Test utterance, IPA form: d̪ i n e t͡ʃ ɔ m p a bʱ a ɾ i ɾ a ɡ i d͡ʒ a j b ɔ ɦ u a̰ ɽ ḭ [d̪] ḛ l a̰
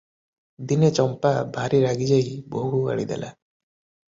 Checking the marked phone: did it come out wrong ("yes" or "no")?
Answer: no